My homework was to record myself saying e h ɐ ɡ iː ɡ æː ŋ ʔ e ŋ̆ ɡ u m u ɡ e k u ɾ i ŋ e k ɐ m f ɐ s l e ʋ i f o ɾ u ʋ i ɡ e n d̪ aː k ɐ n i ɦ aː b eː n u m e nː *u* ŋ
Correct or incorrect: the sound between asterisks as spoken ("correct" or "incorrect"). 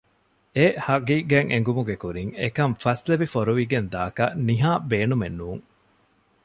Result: incorrect